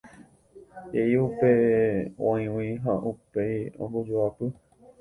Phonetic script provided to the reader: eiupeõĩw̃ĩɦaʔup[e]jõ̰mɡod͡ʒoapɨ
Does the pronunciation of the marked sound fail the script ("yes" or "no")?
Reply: no